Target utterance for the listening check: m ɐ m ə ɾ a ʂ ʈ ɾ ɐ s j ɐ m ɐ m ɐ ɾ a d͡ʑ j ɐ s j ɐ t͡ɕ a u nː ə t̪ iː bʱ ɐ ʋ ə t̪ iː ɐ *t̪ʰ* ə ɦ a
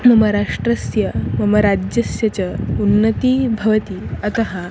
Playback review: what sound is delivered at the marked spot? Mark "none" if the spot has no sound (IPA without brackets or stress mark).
t̪